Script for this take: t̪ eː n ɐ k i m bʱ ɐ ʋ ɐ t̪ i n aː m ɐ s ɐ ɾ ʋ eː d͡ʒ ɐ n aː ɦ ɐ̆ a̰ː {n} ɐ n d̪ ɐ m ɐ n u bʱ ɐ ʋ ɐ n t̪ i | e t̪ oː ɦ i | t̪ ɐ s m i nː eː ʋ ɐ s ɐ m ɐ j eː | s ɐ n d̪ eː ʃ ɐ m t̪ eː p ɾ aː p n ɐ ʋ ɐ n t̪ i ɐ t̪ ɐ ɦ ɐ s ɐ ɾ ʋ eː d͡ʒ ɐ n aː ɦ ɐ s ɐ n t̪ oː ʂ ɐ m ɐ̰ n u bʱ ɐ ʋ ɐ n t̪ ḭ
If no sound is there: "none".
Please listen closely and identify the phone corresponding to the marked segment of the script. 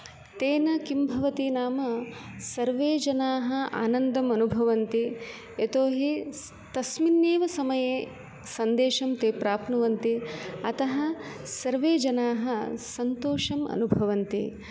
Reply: n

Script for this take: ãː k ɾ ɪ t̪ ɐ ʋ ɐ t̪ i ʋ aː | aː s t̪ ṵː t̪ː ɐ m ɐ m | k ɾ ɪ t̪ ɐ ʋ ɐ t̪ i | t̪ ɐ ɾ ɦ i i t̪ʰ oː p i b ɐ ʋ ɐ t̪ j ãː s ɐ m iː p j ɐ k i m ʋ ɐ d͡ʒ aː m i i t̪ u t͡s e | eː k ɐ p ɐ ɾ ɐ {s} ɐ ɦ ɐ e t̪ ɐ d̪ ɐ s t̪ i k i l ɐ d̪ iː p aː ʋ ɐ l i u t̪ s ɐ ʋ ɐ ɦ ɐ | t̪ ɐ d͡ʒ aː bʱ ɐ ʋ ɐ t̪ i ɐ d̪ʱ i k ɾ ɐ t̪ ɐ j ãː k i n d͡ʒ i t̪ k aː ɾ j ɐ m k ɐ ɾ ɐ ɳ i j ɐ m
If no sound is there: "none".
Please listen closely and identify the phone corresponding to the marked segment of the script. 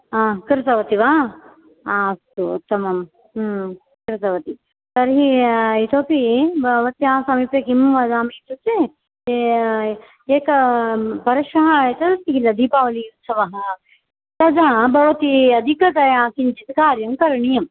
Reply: ʃ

